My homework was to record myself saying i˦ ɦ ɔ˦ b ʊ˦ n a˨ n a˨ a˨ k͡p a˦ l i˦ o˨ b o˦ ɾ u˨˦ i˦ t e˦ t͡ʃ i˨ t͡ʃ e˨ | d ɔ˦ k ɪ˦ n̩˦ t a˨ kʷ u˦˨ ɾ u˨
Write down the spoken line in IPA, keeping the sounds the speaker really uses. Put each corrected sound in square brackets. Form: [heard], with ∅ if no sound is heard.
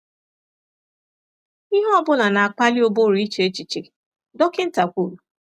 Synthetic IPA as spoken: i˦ ɦ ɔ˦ b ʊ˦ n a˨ n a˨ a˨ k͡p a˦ l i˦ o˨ b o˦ ɾ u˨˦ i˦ [t͡ʃ] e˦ t͡ʃ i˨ t͡ʃ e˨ | d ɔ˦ k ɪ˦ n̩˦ t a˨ kʷ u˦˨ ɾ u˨